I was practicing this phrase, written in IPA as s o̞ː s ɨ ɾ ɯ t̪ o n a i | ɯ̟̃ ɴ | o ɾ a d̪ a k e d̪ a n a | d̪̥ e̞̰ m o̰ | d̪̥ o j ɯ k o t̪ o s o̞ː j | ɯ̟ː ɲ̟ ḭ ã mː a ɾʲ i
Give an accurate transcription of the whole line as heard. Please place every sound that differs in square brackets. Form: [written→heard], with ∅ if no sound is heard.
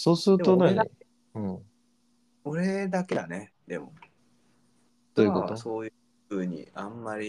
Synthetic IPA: s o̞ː s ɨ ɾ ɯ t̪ o n a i | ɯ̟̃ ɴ | o ɾ [a→e] d̪ a k e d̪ a n [a→e] | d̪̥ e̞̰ m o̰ | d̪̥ o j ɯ k o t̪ o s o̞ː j | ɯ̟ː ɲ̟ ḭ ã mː a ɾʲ i